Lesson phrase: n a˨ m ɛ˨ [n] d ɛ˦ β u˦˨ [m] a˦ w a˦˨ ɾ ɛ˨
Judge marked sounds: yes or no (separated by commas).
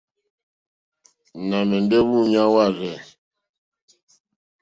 yes, no